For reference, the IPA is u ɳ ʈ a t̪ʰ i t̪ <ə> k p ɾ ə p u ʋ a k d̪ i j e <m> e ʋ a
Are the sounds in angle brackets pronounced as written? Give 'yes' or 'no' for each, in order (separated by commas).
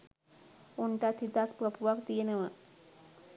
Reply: no, no